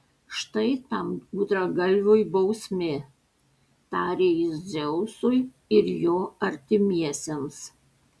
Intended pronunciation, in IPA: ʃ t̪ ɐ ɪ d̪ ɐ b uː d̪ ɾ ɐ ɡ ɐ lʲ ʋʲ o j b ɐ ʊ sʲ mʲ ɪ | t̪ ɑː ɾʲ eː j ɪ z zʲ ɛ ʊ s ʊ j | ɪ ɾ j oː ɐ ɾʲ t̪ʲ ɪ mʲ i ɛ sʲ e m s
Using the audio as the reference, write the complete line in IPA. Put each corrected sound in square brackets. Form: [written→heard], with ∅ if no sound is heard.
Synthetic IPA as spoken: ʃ t̪ ɐ ɪ [d̪→t̪] ɐ [b→m] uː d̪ ɾ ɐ ɡ ɐ lʲ ʋʲ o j b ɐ ʊ sʲ mʲ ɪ | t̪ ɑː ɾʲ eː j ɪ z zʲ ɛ ʊ s ʊ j | ɪ ɾ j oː ɐ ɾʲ t̪ʲ ɪ mʲ i ɛ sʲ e m s